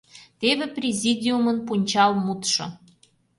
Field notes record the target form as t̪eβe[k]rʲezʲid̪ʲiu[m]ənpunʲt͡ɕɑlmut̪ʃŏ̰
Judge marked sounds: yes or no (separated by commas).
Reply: no, yes